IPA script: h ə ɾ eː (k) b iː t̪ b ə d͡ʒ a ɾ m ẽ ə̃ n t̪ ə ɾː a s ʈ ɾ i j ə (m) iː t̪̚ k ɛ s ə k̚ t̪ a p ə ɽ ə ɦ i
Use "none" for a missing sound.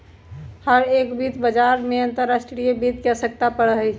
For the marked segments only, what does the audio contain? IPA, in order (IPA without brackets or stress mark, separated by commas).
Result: k, b